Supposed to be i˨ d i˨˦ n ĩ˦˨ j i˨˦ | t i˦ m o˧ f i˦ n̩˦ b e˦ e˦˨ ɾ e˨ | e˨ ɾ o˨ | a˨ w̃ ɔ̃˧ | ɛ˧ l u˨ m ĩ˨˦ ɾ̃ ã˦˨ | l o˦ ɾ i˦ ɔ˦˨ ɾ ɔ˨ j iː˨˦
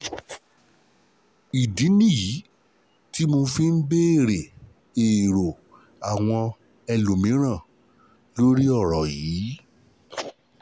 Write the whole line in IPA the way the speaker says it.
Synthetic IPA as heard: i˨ d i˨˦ n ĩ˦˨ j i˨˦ | t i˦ m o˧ f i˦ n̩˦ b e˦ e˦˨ ɾ e˨ | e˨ ɾ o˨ | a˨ w̃ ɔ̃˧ | ɛ˧ l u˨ m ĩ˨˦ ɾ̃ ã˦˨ | l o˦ ɾ i˦ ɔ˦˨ ɾ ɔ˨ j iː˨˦